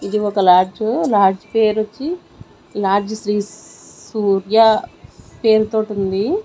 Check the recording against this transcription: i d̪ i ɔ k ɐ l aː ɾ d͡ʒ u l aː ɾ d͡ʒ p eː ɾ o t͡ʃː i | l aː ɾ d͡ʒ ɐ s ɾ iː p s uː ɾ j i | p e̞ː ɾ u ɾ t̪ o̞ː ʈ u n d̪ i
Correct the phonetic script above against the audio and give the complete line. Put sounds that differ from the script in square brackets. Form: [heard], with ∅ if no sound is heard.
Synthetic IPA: i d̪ i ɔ k ɐ l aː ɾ d͡ʒ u l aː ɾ d͡ʒ p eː ɾ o t͡ʃː i | l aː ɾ d͡ʒ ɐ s ɾ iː [∅] s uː ɾ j [a] | p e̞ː ɾ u [∅] t̪ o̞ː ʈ u n d̪ i